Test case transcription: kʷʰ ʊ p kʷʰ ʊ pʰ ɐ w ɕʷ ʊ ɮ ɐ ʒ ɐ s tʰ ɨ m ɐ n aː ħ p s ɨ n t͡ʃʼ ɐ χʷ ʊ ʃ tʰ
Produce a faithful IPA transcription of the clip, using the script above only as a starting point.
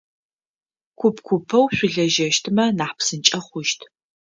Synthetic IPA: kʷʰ ʊ p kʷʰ ʊ pʰ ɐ w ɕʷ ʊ ɮ ɐ ʒ ɐ ʃ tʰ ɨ m ɐ n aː ħ p s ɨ n t͡ʃʼ ɐ χʷ ʊ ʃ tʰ